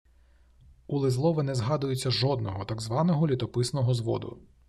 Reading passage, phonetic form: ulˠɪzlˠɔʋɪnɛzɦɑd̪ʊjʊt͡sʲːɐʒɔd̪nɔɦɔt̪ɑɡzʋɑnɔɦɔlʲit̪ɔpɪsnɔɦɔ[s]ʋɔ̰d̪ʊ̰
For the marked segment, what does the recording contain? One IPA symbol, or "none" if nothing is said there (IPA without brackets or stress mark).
z